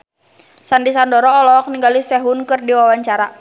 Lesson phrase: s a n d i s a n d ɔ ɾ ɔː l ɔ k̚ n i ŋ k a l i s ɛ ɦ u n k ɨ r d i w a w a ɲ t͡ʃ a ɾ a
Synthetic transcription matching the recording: s a n d i s a n d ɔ ɾ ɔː l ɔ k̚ n i ŋ ɡ a l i s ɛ ɦ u n k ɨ r d i w a w a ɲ t͡ʃ a ɾ a